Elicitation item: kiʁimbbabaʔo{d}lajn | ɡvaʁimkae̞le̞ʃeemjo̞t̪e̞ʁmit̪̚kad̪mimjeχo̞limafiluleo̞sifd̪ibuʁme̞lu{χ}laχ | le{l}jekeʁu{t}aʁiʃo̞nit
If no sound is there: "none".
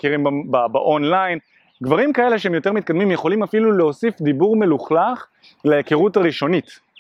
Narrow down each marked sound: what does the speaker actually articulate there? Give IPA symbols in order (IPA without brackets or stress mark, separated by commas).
n, χ, none, t